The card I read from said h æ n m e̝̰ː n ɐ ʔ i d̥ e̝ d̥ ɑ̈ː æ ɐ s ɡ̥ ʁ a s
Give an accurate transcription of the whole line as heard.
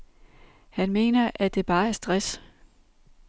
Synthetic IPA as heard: h æ n m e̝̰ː n ɐ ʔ æ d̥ e̝ b̥ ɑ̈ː æ ɐ s d̥ ʁ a s

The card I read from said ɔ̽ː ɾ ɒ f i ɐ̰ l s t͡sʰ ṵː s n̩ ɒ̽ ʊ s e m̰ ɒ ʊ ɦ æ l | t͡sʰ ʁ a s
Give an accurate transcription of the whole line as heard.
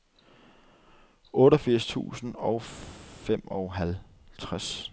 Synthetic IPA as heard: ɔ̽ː ɾ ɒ f i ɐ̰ s t͡sʰ ṵː s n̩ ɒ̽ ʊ f e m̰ ɒ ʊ ɦ æ l | t͡sʰ ʁ a s

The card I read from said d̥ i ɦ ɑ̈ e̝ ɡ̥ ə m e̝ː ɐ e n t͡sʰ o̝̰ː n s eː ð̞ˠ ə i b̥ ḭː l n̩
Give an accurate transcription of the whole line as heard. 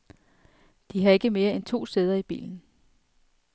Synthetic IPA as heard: d̥ i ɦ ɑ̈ e̝ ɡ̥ ə m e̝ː ɐ e n t͡sʰ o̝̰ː s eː ð̞ˠ ɐ i b̥ ḭː l n̩

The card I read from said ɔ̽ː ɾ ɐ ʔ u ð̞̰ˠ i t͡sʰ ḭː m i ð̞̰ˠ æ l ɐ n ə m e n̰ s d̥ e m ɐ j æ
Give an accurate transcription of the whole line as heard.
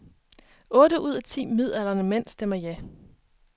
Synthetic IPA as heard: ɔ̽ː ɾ ə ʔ u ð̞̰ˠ æ t͡sʰ ḭː m i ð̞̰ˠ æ l ɐ n ə m e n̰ s d̥ e m ɐ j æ

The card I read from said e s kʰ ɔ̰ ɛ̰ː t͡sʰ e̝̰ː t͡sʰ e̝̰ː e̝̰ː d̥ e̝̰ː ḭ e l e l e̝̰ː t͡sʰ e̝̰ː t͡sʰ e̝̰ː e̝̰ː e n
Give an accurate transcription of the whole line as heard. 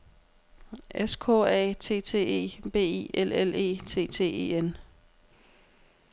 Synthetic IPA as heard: e s kʰ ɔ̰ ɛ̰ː t͡sʰ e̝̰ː t͡sʰ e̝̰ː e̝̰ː b̥ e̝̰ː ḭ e l e l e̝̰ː t͡sʰ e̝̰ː t͡sʰ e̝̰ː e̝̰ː e n

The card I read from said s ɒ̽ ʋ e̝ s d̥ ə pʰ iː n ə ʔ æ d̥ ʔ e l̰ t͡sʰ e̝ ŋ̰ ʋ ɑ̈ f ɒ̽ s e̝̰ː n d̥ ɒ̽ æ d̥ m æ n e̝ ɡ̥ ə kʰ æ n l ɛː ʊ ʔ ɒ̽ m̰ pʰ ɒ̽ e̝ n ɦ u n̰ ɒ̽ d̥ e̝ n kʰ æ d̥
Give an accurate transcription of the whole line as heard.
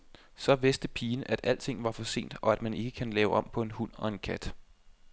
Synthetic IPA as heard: s ɒ̽ ʋ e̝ s d̥ ə pʰ iː n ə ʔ æ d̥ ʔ æ l̰ t͡sʰ e̝ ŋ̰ ʋ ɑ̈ f ɒ̽ s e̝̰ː n d̥ ɒ̽ æ d̥ m æ n e̝ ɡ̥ ə kʰ æ n l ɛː ʊ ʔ ɒ̽ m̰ pʰ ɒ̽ e̝ n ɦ u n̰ ɒ̽ e̝ n kʰ æ d̥

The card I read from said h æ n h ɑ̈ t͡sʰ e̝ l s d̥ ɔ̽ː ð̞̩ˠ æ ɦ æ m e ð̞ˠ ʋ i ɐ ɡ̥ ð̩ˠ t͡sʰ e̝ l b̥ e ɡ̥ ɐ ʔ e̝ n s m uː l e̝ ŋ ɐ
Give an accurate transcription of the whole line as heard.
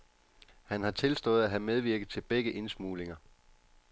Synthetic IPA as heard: h æ n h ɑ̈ t͡sʰ e̝ l s d̥ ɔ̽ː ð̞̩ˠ æ ɦ æ m e ð̞ˠ ʋ i ɐ ɡ̥ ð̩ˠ t͡sʰ e̝ l b̥ e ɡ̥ ə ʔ e̝ n s m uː l e̝ ŋ ɐ

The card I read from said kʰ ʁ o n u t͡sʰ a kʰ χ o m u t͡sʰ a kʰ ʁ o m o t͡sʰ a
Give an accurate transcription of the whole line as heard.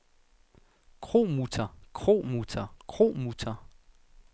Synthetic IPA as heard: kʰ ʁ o m u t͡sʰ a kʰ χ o m u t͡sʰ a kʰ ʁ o m u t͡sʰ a

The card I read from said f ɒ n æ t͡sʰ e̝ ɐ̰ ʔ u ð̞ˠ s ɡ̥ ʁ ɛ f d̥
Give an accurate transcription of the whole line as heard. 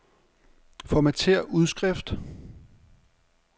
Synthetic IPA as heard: f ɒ m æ t͡sʰ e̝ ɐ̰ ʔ u ð̞ˠ s ɡ̥ ʁ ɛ f d̥

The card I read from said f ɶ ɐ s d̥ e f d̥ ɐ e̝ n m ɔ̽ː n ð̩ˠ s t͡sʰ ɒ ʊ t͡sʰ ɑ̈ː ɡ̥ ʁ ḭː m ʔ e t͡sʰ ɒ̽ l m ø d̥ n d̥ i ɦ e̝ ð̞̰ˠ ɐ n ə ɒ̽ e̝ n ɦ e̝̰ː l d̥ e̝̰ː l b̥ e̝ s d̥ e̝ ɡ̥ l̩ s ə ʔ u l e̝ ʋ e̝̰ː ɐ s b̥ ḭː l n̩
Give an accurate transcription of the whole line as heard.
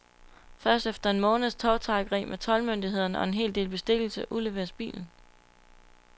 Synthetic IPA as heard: f ɶ ɐ s d̥ e f d̥ ɐ e̝ n m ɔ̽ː n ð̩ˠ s t͡sʰ ɒ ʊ t͡sʰ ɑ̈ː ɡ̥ ʁ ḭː m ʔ e t͡sʰ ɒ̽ l m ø n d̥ i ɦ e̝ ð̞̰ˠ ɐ n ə ɒ̽ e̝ n ɦ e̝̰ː l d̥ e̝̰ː l b̥ e̝ s d̥ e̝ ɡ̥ l̩ s ə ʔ u l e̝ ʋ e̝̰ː ɐ s b̥ ḭː l n̩

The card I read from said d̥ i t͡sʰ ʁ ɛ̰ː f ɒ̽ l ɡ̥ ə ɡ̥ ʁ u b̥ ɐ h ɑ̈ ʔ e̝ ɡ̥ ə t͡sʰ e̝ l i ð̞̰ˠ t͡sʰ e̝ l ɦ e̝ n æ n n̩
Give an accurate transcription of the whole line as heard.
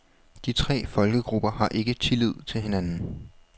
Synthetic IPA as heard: d̥ i t͡sʰ ʁ ɛ̰ː f ɒ̽ l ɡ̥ ə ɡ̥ ʁ u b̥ ɐ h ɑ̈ ʔ e̝ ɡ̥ ə t͡sʰ e̝ l i ð̞̰ˠ t͡sʰ e̝ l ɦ e̝ n æ n n̩

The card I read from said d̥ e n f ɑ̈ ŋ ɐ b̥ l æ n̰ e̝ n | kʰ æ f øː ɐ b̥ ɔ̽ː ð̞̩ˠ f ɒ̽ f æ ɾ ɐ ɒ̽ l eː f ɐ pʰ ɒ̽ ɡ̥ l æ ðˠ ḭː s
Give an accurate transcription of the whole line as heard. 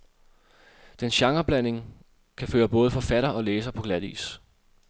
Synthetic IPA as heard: d̥ e n ɕ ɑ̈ ŋ ɐ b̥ l æ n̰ e̝ ŋ | kʰ æ f øː ɐ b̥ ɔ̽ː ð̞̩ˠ f ɒ̽ f æ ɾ ɐ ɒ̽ l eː s ɐ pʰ ɒ̽ ɡ̥ l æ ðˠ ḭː s

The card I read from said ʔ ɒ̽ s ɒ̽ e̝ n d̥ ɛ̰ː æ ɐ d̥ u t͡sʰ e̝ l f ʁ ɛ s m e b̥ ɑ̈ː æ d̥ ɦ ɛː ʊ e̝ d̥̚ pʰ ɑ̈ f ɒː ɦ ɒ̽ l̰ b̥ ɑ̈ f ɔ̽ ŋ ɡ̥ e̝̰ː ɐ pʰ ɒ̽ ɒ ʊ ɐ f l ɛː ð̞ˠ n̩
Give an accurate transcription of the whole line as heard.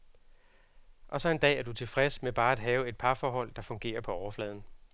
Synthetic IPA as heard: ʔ ɒ̽ s ɒ̽ e̝ n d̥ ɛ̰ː æ ɐ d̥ u t͡sʰ e̝ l f ʁ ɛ s m e b̥ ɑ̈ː æ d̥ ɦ ɛː ʊ e̝ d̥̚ pʰ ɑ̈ f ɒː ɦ ɒ̽ l̰ d̥ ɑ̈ f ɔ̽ ŋ ɡ̥ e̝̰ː ɐ pʰ ɒ̽ ɒ ʊ ɐ f l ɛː ð̞ˠ n̩

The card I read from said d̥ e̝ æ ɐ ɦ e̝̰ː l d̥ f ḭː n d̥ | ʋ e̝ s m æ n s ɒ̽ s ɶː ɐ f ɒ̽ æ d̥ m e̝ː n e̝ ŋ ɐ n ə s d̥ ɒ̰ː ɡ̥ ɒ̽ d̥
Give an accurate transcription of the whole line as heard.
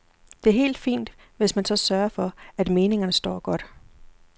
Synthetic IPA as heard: d̥ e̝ æ ɐ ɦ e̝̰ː l d̥ f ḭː n d̥ | ʋ e̝ s m æ n s ɒ̽ s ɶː ɐ f ɒ̽ æ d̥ m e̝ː n e̝ ŋ ɐ n ə s d̥ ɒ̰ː ɡ̥ ɒ̽ d̥

